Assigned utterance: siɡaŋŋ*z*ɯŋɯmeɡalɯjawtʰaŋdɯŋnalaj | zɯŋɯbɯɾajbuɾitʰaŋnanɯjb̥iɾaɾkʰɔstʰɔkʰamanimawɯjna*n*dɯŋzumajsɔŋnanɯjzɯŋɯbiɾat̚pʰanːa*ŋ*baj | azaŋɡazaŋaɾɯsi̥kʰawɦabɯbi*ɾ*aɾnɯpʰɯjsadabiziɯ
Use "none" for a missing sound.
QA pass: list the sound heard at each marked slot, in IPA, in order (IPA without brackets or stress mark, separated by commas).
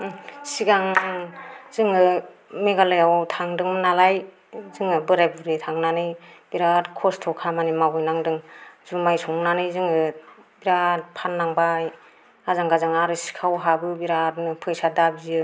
z, ŋ, ŋ, ɾ